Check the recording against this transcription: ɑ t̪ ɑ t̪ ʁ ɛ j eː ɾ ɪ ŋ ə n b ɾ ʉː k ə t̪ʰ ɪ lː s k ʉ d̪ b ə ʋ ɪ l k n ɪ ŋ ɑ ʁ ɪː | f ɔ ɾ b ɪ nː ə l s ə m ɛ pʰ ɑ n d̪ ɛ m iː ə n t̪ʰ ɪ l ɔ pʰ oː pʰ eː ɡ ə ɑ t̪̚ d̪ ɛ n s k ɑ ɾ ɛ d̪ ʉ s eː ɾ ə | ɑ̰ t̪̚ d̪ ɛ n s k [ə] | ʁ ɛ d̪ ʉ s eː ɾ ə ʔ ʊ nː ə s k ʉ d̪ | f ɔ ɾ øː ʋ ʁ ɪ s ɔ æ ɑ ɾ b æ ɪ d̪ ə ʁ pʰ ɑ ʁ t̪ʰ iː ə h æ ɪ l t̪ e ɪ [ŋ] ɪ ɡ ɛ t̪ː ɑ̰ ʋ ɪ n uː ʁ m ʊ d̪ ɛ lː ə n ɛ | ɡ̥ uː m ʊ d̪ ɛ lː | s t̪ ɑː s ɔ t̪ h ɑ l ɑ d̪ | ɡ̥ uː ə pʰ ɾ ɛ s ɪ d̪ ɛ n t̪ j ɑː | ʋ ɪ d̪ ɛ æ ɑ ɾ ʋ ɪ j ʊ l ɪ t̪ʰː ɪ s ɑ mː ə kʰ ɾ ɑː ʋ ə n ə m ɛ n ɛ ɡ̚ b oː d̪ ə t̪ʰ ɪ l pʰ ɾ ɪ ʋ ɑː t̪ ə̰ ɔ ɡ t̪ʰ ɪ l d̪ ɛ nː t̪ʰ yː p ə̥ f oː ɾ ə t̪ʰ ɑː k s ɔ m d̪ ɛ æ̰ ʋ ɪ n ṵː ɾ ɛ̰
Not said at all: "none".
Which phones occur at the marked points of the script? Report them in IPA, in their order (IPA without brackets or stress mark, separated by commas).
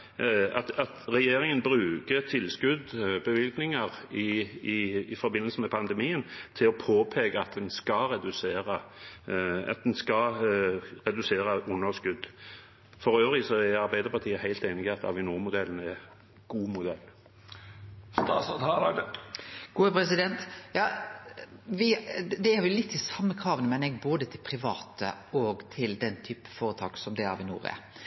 ɑ, n